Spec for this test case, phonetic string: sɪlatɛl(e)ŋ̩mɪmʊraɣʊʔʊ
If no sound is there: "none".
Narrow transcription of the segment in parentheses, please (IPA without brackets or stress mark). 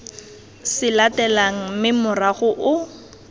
a